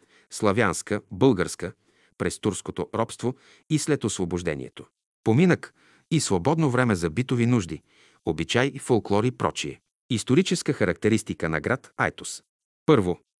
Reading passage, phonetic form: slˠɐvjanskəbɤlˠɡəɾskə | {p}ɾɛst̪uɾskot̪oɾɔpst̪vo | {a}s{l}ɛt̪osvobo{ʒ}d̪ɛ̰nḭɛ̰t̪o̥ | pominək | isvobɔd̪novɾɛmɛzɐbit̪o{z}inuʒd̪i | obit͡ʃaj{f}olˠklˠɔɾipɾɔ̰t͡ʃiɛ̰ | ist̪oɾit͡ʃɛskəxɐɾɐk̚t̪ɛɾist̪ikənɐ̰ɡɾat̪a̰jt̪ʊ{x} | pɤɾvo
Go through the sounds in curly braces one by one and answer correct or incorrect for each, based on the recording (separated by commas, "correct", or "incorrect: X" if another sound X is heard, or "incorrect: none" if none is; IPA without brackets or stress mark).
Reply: correct, incorrect: i, correct, correct, incorrect: v, correct, incorrect: s